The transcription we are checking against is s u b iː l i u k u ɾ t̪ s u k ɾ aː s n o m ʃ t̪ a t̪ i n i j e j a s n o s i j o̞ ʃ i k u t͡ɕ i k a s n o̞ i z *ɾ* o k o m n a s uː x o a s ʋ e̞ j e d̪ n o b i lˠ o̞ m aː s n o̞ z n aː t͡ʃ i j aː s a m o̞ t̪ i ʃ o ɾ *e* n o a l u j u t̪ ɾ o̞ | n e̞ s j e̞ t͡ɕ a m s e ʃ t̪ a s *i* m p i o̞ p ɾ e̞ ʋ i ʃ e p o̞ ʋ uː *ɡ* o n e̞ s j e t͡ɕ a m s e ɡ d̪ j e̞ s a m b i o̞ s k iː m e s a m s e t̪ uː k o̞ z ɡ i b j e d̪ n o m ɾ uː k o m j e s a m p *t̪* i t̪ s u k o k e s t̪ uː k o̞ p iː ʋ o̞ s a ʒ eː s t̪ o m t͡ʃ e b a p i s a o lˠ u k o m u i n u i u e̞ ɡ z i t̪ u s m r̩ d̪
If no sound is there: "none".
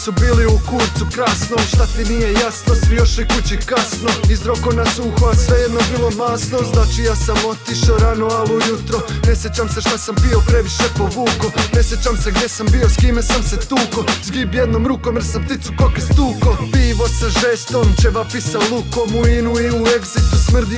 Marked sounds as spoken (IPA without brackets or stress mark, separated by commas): ɾ, a, a, k, t̪